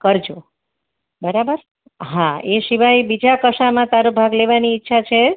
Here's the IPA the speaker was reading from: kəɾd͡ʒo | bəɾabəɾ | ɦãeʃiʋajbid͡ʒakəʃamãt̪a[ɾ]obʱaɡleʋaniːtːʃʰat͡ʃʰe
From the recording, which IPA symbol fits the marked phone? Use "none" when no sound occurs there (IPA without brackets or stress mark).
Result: ɾ